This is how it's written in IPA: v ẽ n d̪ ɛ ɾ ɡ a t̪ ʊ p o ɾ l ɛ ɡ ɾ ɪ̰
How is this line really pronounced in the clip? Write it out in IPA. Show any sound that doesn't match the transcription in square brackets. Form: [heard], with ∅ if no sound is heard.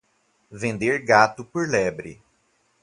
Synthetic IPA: v ẽ n d̪ [e] ɾ ɡ a t̪ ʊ p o ɾ l ɛ [b] ɾ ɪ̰